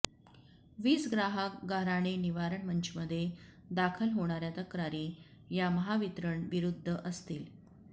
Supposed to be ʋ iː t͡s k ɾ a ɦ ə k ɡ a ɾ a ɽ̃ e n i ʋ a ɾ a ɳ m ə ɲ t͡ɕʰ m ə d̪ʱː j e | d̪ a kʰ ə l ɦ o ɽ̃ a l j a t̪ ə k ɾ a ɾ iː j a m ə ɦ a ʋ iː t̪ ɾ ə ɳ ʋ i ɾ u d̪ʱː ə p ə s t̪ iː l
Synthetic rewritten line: ʋ iː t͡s ɡ ɾ a ɦ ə k ɡ a ɾ a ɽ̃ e n i ʋ a ɾ ə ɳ m ə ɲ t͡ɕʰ m ə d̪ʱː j e | d̪ a kʰ ə l ɦ o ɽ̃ a ɾ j a t̪ ə k ɾ a ɾ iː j a m ə ɦ a ʋ i t̪ ɾ ə ɳ ʋ i ɾ u d̪ʱː ə ʔ ə s t̪ iː l